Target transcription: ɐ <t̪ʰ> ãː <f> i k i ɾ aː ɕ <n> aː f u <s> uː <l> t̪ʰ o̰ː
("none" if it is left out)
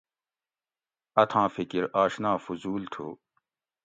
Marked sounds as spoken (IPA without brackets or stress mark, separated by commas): t̪ʰ, f, n, z, l